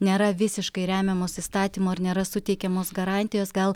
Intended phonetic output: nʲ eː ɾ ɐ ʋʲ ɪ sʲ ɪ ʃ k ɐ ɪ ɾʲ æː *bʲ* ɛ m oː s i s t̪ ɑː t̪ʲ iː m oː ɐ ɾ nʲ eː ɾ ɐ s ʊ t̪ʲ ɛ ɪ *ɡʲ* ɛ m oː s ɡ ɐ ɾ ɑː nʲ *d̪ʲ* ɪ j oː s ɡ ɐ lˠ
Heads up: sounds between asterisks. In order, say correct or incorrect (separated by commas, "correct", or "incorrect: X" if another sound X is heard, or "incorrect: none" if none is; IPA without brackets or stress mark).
incorrect: mʲ, incorrect: kʲ, incorrect: t̪ʲ